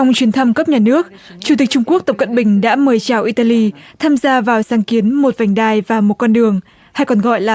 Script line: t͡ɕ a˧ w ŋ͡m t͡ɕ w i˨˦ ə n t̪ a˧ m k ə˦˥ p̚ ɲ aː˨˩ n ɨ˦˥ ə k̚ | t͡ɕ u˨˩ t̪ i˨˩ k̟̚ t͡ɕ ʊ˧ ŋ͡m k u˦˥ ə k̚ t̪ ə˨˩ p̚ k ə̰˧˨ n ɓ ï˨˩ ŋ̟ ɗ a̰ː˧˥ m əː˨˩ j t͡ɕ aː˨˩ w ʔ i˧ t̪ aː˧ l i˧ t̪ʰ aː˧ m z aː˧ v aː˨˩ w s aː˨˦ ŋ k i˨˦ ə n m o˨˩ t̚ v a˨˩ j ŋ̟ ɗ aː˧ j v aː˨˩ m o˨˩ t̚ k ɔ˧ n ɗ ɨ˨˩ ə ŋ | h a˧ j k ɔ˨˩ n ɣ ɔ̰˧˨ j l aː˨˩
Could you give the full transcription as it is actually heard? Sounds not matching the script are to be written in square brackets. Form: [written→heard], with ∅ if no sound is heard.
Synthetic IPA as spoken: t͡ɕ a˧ w ŋ͡m t͡ɕ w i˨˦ ə n [t̪→t̪ʰ] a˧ m k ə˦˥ p̚ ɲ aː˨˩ n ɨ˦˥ ə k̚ | t͡ɕ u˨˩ t̪ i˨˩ k̟̚ t͡ɕ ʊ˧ ŋ͡m k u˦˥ ə k̚ t̪ ə˨˩ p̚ k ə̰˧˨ n ɓ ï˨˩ ŋ̟ ɗ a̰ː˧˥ m əː˨˩ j t͡ɕ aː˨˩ w ʔ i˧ t̪ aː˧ l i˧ t̪ʰ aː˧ m z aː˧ v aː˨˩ w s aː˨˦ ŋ k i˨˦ ə n m o˨˩ t̚ v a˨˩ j ŋ̟ ɗ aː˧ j v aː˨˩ m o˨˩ t̚ k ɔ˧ n ɗ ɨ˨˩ ə ŋ | h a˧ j k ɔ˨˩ n ɣ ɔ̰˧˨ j l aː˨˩